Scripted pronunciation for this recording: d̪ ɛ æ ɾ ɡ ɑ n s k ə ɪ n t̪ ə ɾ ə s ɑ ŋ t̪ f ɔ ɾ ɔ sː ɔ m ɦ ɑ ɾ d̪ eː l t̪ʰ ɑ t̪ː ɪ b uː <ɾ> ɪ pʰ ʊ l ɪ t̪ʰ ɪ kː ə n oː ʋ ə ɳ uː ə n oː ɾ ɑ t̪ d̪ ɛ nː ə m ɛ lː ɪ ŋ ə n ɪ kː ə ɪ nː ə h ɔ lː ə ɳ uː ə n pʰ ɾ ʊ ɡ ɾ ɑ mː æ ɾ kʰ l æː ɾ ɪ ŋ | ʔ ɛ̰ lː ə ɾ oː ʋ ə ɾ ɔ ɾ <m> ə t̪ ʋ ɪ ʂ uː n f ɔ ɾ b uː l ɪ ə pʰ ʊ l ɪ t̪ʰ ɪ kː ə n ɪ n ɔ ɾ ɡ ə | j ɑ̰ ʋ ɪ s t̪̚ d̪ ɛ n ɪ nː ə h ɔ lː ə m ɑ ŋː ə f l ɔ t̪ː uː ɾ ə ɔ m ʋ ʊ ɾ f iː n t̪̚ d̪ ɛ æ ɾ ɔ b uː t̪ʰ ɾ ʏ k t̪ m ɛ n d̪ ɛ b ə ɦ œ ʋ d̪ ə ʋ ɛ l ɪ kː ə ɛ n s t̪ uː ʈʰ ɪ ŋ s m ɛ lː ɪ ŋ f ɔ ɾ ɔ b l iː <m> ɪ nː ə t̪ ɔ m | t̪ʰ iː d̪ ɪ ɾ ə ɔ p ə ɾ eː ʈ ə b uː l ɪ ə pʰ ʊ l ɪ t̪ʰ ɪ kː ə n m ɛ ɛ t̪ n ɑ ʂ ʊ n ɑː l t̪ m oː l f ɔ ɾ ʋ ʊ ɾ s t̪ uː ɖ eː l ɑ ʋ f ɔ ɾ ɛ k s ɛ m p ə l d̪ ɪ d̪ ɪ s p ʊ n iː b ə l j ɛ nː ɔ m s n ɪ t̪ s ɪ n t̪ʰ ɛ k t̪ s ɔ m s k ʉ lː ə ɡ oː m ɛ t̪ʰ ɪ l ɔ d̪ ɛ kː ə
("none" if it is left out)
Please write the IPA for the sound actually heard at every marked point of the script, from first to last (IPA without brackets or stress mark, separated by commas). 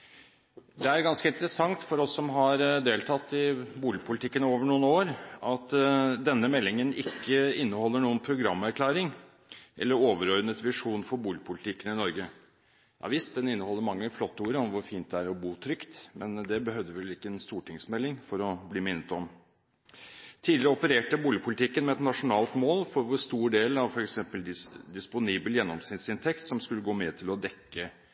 l, n, m